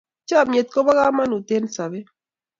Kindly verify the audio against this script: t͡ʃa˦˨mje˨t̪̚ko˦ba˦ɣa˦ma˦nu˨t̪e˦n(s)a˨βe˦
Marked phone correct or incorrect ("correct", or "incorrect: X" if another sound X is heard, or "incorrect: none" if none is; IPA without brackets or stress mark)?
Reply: correct